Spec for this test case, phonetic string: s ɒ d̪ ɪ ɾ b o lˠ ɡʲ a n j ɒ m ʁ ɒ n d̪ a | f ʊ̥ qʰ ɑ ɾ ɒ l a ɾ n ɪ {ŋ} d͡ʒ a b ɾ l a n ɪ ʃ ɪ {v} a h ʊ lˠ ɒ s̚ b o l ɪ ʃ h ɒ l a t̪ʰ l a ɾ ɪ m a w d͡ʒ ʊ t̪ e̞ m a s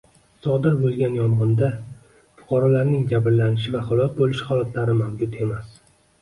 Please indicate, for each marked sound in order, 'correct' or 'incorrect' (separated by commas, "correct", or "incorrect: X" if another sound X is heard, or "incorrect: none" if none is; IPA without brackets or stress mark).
correct, correct